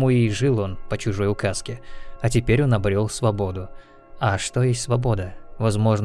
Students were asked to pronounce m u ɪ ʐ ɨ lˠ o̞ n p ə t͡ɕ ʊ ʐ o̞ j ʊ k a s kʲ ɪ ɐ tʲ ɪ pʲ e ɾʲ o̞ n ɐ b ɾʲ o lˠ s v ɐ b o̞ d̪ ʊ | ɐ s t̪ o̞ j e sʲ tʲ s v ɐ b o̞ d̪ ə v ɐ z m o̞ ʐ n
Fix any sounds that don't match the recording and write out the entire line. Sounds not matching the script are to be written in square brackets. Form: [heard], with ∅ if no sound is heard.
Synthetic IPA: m u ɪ ʐ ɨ lˠ o̞ n p ə t͡ɕ ʊ ʐ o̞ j ʊ k a s kʲ ɪ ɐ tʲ ɪ pʲ e ɾʲ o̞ n ɐ b ɾʲ o lˠ s v ɐ b o̞ d̪ ʊ | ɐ [ʂ] t̪ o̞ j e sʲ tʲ s v ɐ b o̞ d̪ ə v ɐ z m o̞ ʐ n